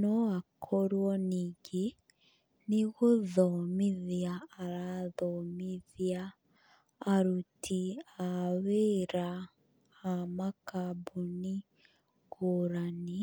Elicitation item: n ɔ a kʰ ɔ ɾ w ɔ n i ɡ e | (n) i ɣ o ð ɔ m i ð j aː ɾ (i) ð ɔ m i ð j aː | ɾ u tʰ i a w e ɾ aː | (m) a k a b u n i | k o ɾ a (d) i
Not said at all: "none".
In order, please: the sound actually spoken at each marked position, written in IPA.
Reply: n, a, m, n

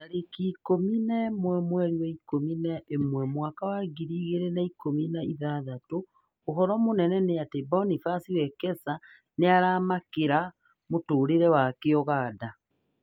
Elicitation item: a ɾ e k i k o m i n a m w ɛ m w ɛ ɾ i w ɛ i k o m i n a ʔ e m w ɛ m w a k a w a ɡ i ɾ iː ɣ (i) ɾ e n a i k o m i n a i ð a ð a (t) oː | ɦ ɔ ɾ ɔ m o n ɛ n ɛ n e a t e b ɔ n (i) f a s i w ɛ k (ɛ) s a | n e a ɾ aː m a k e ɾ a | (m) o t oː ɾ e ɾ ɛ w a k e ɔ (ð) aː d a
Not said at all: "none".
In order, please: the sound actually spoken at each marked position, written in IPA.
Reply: e, t, i, ɛ, m, ɣ

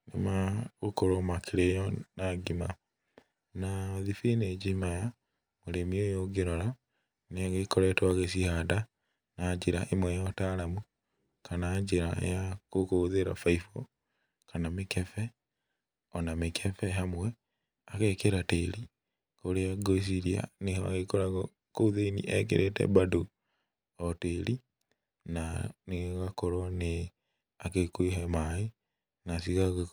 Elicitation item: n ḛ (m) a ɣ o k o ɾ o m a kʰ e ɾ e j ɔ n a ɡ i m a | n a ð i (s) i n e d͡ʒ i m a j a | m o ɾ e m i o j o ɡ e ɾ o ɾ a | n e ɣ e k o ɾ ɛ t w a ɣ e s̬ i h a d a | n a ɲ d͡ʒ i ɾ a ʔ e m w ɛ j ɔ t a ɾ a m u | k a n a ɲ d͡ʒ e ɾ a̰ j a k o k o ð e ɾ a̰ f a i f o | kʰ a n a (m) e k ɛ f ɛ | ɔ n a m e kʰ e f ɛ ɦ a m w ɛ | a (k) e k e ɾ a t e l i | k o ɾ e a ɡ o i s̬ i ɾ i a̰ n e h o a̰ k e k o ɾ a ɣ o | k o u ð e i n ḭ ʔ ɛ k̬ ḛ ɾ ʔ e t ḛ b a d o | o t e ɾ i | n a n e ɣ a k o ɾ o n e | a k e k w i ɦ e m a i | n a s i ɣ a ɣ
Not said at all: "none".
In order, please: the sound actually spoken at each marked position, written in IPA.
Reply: m, f, m, k

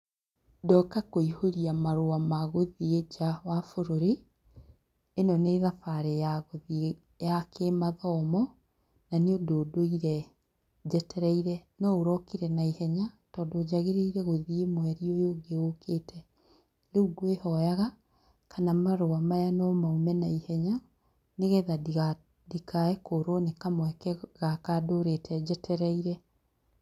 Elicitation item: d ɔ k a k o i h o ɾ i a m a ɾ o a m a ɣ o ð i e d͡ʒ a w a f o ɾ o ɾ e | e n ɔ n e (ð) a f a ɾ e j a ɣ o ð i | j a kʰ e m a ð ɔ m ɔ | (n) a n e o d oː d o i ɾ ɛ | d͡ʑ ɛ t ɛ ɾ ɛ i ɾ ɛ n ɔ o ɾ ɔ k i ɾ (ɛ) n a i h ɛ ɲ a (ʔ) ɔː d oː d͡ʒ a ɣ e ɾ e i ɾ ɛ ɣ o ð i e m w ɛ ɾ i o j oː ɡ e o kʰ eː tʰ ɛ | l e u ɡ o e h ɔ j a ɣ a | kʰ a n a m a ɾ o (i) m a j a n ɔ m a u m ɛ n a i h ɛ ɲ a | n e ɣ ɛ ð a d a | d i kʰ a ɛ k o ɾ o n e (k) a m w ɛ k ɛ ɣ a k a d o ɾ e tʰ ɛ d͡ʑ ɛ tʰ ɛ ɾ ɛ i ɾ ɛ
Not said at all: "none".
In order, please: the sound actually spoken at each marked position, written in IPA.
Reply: ð, n, ɛ, t, a, k

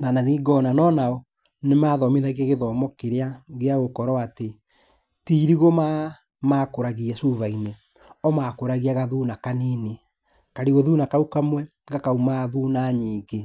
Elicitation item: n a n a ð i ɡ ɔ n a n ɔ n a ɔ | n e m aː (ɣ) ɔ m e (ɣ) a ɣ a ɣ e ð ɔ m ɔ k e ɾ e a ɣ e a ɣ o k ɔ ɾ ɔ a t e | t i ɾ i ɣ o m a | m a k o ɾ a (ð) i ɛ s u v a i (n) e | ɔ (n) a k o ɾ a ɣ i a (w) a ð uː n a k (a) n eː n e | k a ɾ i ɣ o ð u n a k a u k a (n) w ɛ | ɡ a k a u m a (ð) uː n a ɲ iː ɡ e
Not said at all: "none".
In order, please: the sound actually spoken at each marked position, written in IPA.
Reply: ð, ð, ɣ, n, m, ɣ, a, m, ð

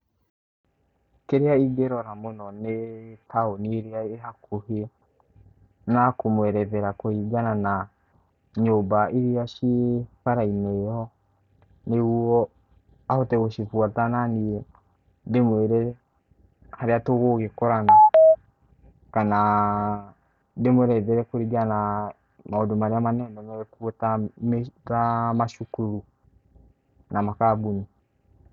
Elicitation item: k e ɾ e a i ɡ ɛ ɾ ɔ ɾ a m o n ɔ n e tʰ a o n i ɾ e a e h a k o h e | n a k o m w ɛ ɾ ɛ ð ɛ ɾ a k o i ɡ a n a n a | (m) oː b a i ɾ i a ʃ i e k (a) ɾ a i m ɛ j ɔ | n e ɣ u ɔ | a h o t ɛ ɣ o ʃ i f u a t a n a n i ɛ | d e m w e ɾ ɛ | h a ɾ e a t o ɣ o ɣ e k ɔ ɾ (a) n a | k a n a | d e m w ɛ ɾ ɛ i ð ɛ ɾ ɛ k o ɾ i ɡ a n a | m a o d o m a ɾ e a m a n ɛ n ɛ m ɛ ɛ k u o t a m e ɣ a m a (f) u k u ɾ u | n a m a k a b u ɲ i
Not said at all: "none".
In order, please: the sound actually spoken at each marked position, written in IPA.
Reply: ɲ, a, a, ʃ

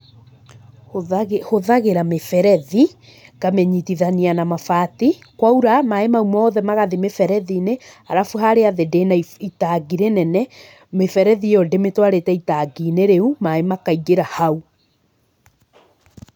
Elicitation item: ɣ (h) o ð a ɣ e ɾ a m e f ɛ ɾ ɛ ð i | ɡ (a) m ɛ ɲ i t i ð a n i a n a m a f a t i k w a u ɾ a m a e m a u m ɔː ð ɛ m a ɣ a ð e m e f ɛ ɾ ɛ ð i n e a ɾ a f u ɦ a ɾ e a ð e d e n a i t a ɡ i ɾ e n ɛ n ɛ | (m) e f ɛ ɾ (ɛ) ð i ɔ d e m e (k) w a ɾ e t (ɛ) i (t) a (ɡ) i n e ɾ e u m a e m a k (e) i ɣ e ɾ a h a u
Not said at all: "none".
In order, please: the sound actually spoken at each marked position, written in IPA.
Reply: h, a, m, ɛ, t, ɛ, t, ɡ, a

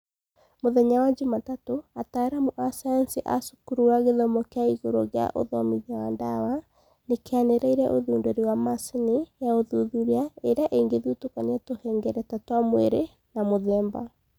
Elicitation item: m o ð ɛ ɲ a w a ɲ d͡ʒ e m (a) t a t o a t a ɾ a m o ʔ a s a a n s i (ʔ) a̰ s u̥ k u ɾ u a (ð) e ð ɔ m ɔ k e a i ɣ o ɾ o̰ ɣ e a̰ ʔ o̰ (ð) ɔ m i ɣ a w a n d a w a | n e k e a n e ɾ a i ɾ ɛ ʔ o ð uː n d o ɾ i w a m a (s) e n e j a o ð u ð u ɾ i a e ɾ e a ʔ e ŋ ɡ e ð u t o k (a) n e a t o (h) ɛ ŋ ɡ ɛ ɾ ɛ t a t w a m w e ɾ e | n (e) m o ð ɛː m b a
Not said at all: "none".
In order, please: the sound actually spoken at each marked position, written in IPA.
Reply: a, ʔ, ɣ, ð, s, a, h, a

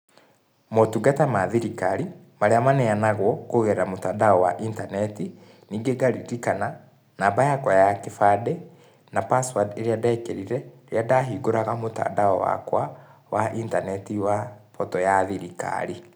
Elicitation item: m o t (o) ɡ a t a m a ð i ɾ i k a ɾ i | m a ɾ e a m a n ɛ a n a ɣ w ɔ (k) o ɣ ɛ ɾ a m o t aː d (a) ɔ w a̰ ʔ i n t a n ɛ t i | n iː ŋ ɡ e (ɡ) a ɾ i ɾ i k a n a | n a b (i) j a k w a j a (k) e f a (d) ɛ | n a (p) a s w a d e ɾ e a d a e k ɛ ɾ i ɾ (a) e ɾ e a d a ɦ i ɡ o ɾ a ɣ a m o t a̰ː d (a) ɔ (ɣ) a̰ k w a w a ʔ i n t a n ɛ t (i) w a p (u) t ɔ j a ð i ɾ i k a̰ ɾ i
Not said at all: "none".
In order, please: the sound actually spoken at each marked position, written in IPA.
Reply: u, k, a, ɡ, a, k, d, p, ɛ, a, w, i, ɔ

